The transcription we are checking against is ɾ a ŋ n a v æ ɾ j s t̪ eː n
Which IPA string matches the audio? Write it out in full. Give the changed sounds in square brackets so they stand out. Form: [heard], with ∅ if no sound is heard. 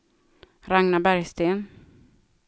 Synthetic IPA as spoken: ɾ a ŋ n a [b] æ ɾ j s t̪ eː n